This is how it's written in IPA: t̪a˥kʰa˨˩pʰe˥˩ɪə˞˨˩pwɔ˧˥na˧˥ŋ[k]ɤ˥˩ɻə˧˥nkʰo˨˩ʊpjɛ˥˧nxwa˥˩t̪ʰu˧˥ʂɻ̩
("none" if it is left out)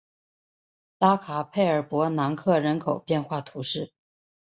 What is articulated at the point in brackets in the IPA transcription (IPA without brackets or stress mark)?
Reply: kʰ